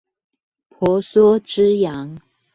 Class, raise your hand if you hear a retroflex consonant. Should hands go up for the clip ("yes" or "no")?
yes